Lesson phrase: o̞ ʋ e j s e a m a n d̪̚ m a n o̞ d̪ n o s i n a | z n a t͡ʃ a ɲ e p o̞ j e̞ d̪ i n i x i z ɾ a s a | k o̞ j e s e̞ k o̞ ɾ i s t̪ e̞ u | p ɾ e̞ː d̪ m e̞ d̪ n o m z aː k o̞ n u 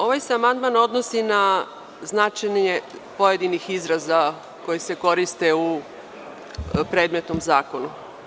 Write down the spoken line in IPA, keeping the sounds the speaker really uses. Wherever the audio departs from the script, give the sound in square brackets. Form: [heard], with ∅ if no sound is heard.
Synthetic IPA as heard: o̞ ʋ [a] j s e a m a n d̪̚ m a n o̞ d̪ n o s i n a | z n a t͡ʃ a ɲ e p o̞ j e̞ d̪ i n i x i z ɾ a [z] a | k o̞ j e s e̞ k o̞ ɾ i s t̪ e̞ u | p ɾ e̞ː d̪ m e̞ [t̪] n o m z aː k o̞ n u